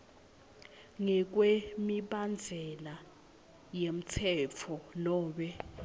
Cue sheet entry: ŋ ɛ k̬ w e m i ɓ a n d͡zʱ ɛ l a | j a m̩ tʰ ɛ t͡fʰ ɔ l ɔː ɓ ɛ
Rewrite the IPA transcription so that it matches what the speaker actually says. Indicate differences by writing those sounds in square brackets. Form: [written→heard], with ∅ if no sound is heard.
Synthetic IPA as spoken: ŋ ɛ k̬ w e m i ɓ a n d͡zʱ ɛ l a | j [a→e] m̩ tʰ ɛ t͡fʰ ɔ l ɔː ɓ ɛ